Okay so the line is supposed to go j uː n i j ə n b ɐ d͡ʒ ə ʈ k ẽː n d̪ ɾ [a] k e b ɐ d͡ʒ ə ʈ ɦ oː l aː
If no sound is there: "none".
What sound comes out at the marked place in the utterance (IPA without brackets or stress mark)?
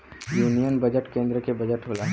ə